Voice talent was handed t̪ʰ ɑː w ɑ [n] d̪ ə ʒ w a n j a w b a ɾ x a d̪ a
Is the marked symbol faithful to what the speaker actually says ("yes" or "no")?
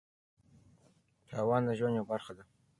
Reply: yes